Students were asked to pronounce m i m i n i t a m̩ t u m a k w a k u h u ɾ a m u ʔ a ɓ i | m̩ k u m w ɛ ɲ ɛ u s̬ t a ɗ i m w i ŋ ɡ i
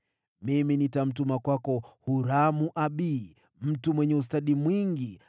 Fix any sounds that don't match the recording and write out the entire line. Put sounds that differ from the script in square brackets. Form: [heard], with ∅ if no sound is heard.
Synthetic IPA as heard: m i m i n i t a m̩ t u m a k w a k [ɔ] h u ɾ a m u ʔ a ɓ i | m̩ [t] u m w ɛ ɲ ɛ u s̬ t a ɗ i m w i ŋ ɡ i